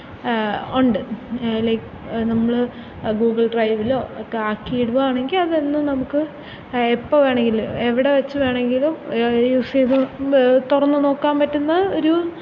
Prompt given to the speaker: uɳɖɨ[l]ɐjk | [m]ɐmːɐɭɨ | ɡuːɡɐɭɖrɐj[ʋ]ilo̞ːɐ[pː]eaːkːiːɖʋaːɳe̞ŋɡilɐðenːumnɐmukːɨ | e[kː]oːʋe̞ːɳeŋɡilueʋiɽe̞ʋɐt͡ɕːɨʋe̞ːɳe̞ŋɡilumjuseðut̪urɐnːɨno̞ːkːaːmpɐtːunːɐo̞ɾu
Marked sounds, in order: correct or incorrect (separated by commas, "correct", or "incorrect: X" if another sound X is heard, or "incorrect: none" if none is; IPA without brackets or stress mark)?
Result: correct, incorrect: n, correct, incorrect: kː, incorrect: pː